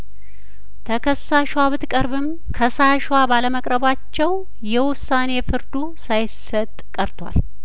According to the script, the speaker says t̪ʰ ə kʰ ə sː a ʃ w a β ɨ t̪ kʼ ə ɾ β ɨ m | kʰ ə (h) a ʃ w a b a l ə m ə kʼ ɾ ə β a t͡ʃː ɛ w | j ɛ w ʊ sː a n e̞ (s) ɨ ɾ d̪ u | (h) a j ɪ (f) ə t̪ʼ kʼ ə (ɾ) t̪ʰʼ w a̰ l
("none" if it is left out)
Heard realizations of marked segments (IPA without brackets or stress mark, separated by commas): s, f, s, s, ɾ